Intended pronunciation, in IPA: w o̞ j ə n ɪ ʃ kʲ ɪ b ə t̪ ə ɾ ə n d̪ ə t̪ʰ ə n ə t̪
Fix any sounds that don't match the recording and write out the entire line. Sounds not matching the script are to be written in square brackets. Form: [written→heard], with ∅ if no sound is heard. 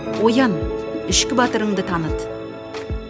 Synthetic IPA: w o̞ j [ə→ɑ] n ɪ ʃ kʲ ɪ b [ə→ɑ] t̪ ə ɾ ə [n→ɴ] d̪ ə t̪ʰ [ə→ɑ] n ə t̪